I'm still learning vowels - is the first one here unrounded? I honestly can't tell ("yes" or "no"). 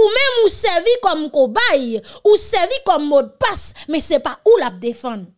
no